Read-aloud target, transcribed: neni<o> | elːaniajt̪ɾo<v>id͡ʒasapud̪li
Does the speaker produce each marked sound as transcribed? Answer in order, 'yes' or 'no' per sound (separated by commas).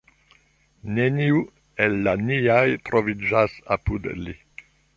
no, yes